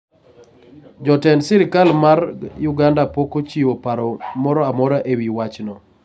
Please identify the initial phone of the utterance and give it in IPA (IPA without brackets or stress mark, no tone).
d͡ʒ